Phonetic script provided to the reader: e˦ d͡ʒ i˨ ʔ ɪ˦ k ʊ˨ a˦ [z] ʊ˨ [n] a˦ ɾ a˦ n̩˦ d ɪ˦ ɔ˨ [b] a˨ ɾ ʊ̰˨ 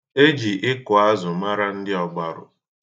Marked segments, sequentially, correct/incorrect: correct, incorrect, incorrect

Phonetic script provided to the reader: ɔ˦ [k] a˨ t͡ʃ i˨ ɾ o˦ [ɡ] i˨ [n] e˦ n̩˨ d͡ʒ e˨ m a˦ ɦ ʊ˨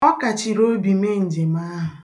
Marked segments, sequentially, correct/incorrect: correct, incorrect, incorrect

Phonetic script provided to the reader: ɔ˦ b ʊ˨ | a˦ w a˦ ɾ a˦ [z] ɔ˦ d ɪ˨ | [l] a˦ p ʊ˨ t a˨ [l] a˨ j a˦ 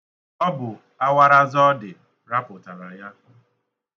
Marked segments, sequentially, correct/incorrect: correct, incorrect, incorrect

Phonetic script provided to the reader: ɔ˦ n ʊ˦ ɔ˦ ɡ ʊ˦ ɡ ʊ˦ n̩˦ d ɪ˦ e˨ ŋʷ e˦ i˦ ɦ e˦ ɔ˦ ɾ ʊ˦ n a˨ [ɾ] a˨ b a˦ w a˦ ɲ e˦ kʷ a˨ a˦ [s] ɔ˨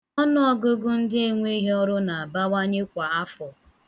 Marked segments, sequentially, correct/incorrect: incorrect, incorrect

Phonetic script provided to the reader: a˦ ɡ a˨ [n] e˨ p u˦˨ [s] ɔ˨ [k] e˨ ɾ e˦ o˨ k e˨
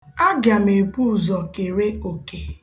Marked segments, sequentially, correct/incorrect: incorrect, incorrect, correct

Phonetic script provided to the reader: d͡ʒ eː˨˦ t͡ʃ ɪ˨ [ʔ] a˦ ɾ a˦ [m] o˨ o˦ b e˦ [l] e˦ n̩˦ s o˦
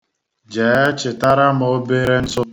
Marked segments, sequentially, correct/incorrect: incorrect, correct, incorrect

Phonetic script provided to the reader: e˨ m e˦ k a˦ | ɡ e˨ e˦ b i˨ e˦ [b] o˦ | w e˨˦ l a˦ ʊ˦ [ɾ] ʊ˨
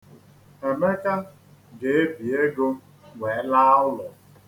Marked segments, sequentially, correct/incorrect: incorrect, incorrect

